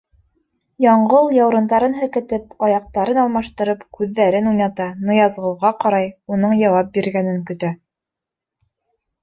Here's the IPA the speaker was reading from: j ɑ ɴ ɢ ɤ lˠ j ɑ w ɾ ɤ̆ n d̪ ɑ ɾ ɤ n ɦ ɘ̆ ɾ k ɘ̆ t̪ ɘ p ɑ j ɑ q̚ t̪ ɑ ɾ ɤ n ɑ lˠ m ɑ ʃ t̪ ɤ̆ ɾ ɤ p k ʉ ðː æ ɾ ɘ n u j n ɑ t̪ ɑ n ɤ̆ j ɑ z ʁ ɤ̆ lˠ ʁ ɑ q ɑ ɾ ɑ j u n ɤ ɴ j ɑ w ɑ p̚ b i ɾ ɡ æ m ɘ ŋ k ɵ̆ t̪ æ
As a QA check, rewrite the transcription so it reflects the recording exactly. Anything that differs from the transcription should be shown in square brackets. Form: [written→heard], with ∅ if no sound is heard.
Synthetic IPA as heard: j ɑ ɴ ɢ ɤ lˠ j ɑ w ɾ ɤ̆ n d̪ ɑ ɾ ɤ n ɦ ɘ̆ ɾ k ɘ̆ t̪ ɘ p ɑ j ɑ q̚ t̪ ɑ ɾ ɤ n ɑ lˠ m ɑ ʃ t̪ ɤ̆ ɾ ɤ p k ʉ ðː æ ɾ ɘ n u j n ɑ t̪ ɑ n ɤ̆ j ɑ z ʁ ɤ̆ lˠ ʁ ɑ q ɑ ɾ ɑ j u n ɤ ɴ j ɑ w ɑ p̚ b i ɾ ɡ æ [m→n] ɘ ŋ k ɵ̆ t̪ æ

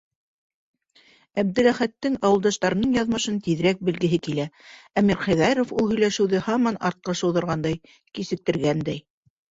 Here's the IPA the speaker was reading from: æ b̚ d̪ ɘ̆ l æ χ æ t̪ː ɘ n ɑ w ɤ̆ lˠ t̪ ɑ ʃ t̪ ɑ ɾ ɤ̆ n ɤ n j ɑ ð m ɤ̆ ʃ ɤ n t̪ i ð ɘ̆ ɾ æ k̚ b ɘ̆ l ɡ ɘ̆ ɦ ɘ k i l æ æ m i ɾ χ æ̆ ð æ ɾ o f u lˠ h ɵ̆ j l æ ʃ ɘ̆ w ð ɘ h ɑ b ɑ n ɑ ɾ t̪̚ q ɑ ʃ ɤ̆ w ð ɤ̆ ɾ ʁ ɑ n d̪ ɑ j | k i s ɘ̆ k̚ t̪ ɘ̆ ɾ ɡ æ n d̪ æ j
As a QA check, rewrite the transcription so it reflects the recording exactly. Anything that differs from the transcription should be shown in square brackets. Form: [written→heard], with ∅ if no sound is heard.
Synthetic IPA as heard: æ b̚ d̪ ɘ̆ l æ χ æ t̪ː ɘ [n→ŋ] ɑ w ɤ̆ lˠ [t̪→d̪] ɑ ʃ t̪ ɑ ɾ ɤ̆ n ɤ [n→ɴ] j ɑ ð m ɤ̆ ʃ ɤ n t̪ i ð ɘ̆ ɾ æ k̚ b ɘ̆ l ɡ ɘ̆ ɦ ɘ k i l æ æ m i ɾ χ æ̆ ð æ ɾ o f u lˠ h ɵ̆ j l æ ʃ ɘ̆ w ð ɘ h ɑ [b→m] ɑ n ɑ ɾ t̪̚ q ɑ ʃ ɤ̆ w ð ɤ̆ ɾ ʁ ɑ n d̪ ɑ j | k i s ɘ̆ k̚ t̪ ɘ̆ ɾ ɡ æ n d̪ æ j

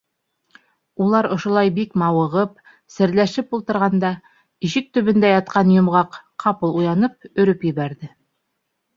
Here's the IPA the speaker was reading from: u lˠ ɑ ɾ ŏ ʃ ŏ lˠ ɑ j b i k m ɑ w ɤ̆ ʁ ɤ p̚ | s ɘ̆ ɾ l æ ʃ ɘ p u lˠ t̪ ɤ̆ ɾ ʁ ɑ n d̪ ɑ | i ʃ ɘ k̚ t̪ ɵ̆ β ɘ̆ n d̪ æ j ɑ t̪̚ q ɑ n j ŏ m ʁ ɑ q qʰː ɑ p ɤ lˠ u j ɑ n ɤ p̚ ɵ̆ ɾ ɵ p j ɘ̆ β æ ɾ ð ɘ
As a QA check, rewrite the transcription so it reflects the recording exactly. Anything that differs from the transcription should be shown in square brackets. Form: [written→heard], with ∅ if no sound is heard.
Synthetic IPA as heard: u lˠ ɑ ɾ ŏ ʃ ŏ lˠ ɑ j b i k m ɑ w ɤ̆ ʁ ɤ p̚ | s ɘ̆ ɾ l æ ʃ ɘ p u lˠ t̪ ɤ̆ ɾ ʁ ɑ n d̪ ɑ | i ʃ ɘ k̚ t̪ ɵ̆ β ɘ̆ n d̪ æ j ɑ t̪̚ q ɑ n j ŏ m ʁ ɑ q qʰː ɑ p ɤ lˠ u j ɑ n ɤ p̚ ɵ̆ ɾ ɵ p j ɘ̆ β æ ɾ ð ɘ

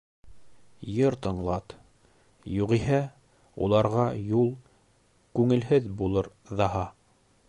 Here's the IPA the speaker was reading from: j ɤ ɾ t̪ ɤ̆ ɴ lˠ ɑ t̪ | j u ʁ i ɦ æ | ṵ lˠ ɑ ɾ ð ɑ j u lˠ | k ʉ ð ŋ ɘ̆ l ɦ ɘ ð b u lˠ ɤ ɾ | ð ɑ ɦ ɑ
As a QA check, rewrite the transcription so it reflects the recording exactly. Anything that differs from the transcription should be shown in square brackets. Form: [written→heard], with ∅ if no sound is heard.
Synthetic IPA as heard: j ɤ ɾ t̪ ɤ̆ ɴ lˠ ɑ t̪ | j u ʁ i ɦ æ | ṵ lˠ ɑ ɾ [ð→ʁ] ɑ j u lˠ | k ʉ [ð→∅] ŋ ɘ̆ l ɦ ɘ ð b u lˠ ɤ ɾ | ð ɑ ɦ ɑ

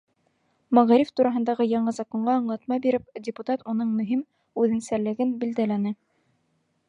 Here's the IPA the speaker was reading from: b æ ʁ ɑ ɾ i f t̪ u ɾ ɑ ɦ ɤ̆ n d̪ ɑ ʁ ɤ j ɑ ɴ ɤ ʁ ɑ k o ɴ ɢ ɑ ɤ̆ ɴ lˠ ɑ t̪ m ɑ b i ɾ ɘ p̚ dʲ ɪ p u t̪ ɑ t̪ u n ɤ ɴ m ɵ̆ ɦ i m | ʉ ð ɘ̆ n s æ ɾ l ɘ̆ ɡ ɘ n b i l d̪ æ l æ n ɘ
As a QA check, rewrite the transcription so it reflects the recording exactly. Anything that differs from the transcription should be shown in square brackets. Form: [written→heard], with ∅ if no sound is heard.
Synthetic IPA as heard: [b→m] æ ʁ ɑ ɾ i f t̪ u ɾ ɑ ɦ ɤ̆ n d̪ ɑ ʁ ɤ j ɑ ɴ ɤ [ʁ→z] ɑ k o ɴ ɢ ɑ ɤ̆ ɴ lˠ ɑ t̪ m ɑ b i ɾ ɘ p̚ dʲ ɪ p u t̪ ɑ t̪ u n ɤ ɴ m ɵ̆ ɦ i m | ʉ ð ɘ̆ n s æ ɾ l ɘ̆ ɡ ɘ n b i l d̪ æ l æ n ɘ

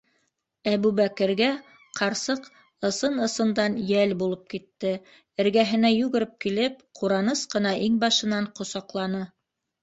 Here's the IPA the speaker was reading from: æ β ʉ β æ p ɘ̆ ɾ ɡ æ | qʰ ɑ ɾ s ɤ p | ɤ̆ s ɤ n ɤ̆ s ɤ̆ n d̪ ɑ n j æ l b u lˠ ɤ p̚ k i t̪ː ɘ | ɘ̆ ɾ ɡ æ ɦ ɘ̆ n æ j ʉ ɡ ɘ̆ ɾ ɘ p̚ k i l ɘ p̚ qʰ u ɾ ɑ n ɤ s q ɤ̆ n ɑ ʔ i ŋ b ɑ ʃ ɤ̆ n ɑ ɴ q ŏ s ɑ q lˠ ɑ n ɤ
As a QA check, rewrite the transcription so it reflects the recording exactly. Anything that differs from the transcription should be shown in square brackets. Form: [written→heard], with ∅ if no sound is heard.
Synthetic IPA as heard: æ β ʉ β æ [p→k] ɘ̆ ɾ ɡ æ | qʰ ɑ ɾ s ɤ [p→q] | ɤ̆ s ɤ n ɤ̆ s ɤ̆ n d̪ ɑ n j æ l b u lˠ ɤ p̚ k i t̪ː ɘ | ɘ̆ ɾ ɡ æ ɦ ɘ̆ n æ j ʉ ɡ ɘ̆ ɾ ɘ p̚ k i l ɘ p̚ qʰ u ɾ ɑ n ɤ s q ɤ̆ n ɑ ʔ i ŋ b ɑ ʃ ɤ̆ n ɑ ɴ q ŏ s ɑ q lˠ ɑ n ɤ

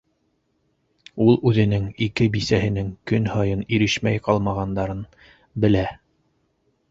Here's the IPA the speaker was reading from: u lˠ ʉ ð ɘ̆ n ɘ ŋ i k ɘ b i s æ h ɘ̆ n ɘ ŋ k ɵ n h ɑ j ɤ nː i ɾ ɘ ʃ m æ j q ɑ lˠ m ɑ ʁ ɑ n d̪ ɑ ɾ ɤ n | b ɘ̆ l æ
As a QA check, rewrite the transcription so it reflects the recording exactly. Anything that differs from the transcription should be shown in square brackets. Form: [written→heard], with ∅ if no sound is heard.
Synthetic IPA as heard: u lˠ ʉ ð ɘ̆ n ɘ ŋ i k ɘ b i s æ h ɘ̆ n ɘ ŋ k ɵ n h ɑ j ɤ [nː→n] i ɾ ɘ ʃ m æ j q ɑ lˠ m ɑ ʁ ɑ n d̪ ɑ ɾ ɤ n | b ɘ̆ l æ

